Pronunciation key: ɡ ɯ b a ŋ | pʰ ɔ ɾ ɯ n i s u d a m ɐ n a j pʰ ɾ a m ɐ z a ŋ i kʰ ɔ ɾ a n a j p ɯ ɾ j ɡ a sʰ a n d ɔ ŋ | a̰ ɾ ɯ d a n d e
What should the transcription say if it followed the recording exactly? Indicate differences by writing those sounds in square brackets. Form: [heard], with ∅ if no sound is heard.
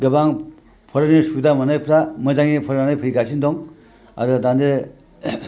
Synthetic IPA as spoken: ɡ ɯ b a ŋ | pʰ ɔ ɾ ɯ n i s u d a m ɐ n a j pʰ ɾ a m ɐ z a ŋ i [pʰ] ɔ ɾ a n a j [pʰ] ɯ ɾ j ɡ a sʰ [i] n d ɔ ŋ | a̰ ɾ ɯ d a n d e